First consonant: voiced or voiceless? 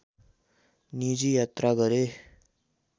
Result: voiced